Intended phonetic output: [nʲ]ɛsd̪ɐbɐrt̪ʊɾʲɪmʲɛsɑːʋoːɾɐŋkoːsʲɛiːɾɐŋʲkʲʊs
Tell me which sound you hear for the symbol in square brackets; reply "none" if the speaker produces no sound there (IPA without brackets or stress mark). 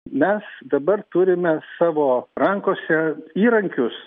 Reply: mʲ